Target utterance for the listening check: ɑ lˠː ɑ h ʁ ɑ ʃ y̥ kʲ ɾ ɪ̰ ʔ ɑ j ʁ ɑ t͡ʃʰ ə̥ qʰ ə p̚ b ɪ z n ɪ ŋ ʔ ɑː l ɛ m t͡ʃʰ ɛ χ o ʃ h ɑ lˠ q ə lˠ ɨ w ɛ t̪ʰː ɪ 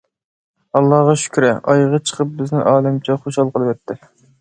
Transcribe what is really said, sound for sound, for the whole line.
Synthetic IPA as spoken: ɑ lˠː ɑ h ʁ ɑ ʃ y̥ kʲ ɾ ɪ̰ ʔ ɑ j ʁ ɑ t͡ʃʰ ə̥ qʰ ə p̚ b ɪ z n ɪ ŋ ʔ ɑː l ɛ m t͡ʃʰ ɛ χ o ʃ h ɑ lˠ q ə lˠ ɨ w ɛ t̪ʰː ɪ